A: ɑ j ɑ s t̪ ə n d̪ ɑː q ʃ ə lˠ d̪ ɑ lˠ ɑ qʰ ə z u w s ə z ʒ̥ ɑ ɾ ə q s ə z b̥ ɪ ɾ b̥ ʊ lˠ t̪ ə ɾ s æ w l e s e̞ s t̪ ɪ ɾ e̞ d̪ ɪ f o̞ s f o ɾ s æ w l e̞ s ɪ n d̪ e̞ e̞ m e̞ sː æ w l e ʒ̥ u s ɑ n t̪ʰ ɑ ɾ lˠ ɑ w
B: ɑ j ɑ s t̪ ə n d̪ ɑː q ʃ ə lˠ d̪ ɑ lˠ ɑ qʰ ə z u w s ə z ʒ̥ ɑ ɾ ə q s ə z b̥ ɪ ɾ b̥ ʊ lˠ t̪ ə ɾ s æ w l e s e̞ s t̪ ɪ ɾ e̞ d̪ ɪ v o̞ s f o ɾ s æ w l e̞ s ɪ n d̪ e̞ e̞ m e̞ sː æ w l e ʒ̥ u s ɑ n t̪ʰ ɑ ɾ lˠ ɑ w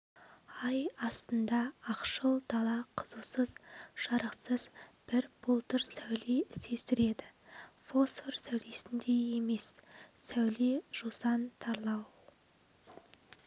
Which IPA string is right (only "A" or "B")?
A